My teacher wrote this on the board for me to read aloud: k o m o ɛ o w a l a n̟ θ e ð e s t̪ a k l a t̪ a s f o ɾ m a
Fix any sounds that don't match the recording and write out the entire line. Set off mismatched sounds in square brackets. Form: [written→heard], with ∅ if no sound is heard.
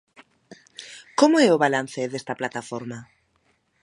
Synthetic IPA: k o m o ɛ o [w→β] a l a n̟ θ e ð e s t̪ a [k→p] l a t̪ a [s→∅] f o ɾ m a

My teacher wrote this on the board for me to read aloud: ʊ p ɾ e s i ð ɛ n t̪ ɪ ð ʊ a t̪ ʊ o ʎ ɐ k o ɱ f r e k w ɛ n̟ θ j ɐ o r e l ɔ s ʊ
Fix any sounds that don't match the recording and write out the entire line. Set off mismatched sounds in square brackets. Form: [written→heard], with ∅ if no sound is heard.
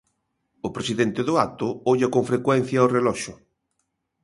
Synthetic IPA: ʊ p ɾ e s i ð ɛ n t̪ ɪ ð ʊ a t̪ ʊ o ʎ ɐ k o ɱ f [r→ɾ] e k w ɛ n̟ θ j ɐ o r e l ɔ [s→ʃ] ʊ

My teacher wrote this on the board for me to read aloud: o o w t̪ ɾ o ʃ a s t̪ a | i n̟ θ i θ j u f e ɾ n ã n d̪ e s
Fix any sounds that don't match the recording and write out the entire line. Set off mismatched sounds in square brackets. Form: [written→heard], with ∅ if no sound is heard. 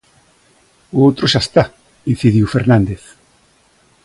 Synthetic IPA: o o w t̪ ɾ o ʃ a s t̪ a | i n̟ θ i [θ→ð] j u f e ɾ n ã n d̪ e [s→θ]

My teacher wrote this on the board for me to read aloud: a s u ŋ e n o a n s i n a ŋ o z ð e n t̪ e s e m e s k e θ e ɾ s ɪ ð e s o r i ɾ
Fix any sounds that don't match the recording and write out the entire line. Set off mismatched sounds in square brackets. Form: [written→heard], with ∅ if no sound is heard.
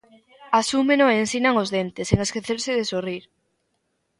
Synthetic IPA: a s u [ŋ→m] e n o [a→e] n s i n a ŋ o z ð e n t̪ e s e [m→ŋ] e s k e θ e ɾ s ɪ ð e s o r i ɾ

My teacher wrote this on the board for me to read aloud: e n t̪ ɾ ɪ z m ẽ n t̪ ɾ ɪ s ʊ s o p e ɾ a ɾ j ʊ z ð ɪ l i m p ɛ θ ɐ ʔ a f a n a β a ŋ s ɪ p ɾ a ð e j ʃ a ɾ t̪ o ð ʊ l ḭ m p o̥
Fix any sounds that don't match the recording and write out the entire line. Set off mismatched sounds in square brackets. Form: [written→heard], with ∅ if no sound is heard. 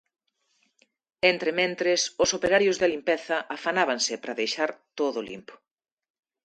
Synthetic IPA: e n t̪ ɾ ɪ [z→∅] m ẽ n t̪ ɾ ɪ s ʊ s o p e ɾ a ɾ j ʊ z ð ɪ l i m p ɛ θ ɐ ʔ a f a n a β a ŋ s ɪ p ɾ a ð e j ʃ a ɾ t̪ o ð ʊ l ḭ m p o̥

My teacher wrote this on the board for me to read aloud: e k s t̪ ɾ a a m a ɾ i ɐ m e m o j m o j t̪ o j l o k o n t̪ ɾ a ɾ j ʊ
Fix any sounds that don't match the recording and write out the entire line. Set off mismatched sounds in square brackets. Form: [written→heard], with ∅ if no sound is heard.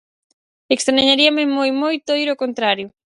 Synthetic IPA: e k s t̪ ɾ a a [m→ɲ] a ɾ i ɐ m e m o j m o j t̪ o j [l→ɾ] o k o n t̪ ɾ a ɾ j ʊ

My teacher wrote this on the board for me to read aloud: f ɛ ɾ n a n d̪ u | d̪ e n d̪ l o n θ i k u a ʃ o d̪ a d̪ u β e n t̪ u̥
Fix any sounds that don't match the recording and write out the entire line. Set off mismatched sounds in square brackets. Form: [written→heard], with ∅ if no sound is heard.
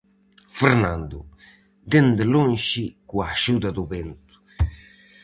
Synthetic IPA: f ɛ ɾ n a n d̪ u | d̪ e n d̪ l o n [θ→ʃ] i k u a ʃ [o→u] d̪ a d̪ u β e n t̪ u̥

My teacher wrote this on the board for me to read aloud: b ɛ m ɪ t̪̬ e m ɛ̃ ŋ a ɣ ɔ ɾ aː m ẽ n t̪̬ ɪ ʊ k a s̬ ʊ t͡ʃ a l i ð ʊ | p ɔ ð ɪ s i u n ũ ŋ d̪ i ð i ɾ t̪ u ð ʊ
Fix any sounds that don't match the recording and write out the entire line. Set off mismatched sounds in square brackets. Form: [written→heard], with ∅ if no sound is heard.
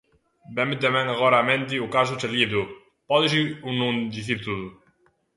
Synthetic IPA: b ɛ m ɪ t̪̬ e m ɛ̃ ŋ a ɣ ɔ ɾ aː m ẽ n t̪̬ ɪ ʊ k a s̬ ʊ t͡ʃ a l i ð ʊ | p ɔ ð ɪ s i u n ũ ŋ d̪ i [ð→θ] i ɾ t̪ u ð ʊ

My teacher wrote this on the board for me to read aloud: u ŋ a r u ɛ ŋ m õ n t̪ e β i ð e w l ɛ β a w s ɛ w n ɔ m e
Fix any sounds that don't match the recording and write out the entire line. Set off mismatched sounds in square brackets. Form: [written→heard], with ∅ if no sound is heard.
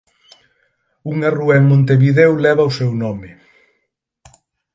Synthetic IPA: u ŋ a r u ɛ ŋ m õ n t̪ e β i ð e w l ɛ β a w s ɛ w n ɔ m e

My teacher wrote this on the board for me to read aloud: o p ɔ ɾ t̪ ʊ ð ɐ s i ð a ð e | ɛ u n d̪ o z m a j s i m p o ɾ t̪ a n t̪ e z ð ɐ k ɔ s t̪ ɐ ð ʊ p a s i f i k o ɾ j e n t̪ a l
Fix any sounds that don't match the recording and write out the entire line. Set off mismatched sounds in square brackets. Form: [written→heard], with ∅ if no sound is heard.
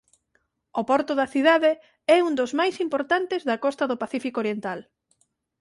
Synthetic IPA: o p ɔ ɾ t̪ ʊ ð ɐ [s→θ] i ð a ð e | ɛ u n d̪ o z m a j s i m p o ɾ t̪ a n t̪ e z ð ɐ k ɔ s t̪ ɐ ð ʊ p a [s→θ] i f i k o ɾ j e n t̪ a l

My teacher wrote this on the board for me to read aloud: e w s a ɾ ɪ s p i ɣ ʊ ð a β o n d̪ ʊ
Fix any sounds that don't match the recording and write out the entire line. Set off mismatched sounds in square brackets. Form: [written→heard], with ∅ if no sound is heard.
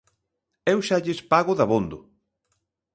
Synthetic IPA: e w [s→ʃ] a [ɾ→ʎ] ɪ s p [i→a] ɣ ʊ ð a β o n d̪ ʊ

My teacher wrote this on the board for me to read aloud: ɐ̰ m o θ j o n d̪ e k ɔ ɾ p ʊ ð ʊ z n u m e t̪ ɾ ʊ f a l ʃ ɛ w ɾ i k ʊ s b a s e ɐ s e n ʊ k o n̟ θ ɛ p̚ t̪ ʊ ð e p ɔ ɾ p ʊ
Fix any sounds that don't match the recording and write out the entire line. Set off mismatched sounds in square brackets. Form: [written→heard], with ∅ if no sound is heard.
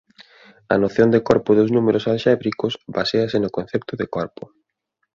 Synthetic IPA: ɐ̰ [m→n] o θ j o n d̪ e k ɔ ɾ p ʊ ð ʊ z n u m e [t̪→∅] ɾ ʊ [f→s] a l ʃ ɛ [w→β] ɾ i k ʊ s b a s e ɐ s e n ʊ k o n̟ θ ɛ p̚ t̪ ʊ ð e [p→k] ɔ ɾ p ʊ

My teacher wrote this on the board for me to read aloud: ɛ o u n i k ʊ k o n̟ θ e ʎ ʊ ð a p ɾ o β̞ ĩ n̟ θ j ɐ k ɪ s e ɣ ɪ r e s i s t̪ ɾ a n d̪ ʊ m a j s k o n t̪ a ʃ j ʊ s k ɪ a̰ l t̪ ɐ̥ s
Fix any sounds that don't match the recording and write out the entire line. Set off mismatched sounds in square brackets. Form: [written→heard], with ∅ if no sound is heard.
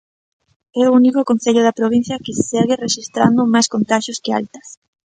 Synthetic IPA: ɛ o u n i k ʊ k o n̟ θ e ʎ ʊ ð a p ɾ o β̞ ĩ n̟ θ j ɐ k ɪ s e ɣ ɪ r e [s→ʃ] i s t̪ ɾ a n d̪ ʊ m a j s k o n t̪ a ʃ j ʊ s k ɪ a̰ l t̪ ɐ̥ s

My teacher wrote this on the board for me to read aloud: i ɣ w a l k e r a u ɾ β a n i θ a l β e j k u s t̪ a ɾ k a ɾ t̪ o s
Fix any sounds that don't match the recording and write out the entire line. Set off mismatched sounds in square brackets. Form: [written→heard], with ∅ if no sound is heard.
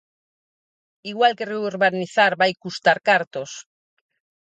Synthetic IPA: i ɣ w a l k e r [a→e] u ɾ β a n i θ a [l→ɾ] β [e→a] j k u s t̪ a ɾ k a ɾ t̪ o s

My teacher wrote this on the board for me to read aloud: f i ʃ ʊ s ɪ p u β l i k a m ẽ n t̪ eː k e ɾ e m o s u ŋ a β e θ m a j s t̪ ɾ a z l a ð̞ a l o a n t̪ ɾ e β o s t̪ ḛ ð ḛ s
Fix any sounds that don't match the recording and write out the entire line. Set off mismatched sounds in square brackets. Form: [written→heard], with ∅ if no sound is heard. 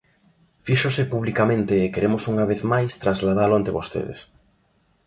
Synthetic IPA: f i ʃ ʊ s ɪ p u β l i k a m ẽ n t̪ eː k e ɾ e m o s u ŋ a β e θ m a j s t̪ ɾ a z l a ð̞ a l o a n t̪ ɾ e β o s t̪ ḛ ð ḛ s

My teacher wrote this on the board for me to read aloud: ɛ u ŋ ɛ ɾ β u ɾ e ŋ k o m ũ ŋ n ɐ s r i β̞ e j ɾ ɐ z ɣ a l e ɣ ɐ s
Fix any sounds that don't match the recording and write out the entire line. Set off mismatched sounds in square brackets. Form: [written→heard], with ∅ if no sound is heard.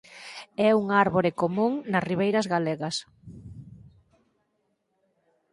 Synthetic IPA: ɛ u ŋ [ɛ→a] ɾ β [u→o] ɾ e [ŋ→∅] k o m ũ ŋ n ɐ s r i β̞ e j ɾ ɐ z ɣ a l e ɣ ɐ s

